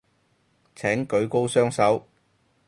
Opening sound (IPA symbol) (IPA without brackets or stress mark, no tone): t͡sʰ